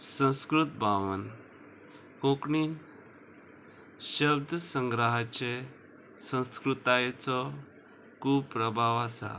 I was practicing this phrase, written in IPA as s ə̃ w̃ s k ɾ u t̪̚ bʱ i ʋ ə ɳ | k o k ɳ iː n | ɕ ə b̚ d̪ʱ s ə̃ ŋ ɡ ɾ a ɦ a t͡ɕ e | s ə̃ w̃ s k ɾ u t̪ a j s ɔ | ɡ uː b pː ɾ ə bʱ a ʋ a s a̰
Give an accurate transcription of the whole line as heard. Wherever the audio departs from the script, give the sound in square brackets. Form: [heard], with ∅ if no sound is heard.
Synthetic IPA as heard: s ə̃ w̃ s k ɾ u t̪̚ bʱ [a] ʋ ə [n] | k o k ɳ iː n | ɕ ə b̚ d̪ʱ s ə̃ ŋ ɡ ɾ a ɦ a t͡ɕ e | s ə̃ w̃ s k ɾ u t̪ a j [t͡s] ɔ | [k] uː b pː ɾ ə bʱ a ʋ a s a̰